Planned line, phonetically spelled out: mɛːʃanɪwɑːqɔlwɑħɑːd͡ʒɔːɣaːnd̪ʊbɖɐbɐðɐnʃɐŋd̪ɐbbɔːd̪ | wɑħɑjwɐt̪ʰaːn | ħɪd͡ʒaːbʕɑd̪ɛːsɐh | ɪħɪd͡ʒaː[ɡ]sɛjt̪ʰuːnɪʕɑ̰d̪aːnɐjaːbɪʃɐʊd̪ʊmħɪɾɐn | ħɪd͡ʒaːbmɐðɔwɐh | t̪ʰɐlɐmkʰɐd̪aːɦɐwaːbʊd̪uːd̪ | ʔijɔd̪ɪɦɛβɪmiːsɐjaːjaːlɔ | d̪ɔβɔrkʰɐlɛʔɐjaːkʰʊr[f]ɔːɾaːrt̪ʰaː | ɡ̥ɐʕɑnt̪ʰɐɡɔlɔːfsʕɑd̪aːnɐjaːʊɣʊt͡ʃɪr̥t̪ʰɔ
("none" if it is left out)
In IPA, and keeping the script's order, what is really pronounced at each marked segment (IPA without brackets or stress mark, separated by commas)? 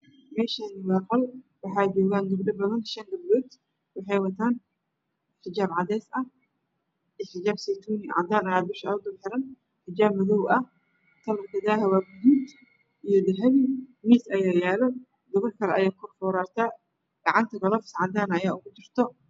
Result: b, f